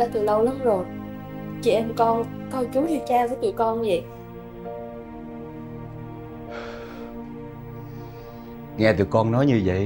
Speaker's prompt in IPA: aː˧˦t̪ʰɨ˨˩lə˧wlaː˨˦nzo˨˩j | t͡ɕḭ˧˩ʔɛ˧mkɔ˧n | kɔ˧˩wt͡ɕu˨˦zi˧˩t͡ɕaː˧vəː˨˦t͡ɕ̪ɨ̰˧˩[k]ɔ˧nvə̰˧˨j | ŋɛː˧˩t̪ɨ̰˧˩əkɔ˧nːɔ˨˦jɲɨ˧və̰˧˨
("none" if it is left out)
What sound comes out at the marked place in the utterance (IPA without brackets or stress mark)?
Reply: k